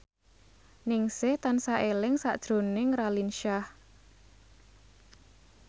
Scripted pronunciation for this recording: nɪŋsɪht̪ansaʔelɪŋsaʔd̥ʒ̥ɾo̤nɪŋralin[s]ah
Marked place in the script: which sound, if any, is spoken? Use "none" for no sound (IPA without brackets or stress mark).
ʃ